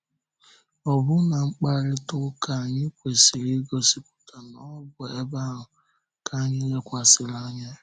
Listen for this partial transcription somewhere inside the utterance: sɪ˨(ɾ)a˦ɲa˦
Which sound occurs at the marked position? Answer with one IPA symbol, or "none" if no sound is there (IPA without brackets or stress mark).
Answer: l